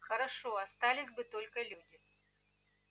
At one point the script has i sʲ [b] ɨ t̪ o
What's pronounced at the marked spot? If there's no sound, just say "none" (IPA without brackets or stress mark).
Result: b